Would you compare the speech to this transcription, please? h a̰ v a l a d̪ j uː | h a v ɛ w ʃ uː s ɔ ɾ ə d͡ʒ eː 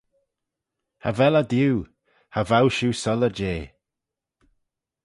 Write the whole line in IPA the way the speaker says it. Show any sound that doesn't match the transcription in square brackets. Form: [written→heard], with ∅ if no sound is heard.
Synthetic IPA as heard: h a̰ v [a→ɛ] l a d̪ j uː | h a v [ɛ→a] w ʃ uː s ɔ [ɾ→l] ə d͡ʒ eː

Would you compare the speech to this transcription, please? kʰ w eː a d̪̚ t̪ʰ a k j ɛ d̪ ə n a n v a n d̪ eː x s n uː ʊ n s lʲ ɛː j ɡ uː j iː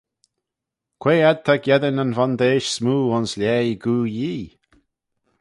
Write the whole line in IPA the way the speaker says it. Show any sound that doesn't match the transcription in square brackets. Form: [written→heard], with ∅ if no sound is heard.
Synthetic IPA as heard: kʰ w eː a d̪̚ t̪ʰ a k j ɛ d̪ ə n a n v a n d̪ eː [x→ʃ] s [n→m] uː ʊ n s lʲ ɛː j ɡ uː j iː

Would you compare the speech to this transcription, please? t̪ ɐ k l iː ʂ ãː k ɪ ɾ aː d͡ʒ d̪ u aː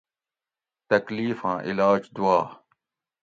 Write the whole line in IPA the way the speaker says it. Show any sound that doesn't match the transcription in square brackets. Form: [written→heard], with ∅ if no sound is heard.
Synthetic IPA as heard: t̪ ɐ k l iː [ʂ→f] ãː [k→ʔ] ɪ [ɾ→l] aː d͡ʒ d̪ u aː

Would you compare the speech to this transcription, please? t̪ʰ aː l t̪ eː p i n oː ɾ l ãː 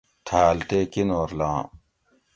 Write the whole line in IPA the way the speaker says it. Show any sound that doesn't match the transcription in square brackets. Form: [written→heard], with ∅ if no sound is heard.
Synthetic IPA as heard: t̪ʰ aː l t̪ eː [p→k] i n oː ɾ l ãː

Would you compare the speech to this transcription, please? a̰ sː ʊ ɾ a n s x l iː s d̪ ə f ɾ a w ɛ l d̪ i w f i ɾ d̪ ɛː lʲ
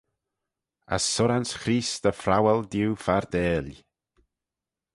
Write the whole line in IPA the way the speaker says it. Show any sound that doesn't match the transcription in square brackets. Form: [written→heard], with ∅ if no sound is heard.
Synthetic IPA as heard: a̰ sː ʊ ɾ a n s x [l→ɾ] iː s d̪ ə f ɾ a w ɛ l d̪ i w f [i→a] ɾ d̪ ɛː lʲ

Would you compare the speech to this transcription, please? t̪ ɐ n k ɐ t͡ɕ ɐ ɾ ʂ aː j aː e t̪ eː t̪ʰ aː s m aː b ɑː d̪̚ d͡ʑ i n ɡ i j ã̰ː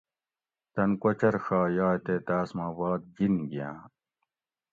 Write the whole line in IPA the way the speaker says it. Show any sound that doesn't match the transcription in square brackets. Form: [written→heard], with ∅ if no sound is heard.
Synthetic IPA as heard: t̪ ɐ n k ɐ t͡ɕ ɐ ɾ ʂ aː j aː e t̪ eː [t̪ʰ→t̪] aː s m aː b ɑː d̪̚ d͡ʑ i n ɡ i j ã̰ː

